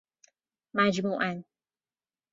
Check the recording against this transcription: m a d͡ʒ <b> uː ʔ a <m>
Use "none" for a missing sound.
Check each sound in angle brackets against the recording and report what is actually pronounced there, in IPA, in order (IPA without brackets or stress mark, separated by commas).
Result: m, n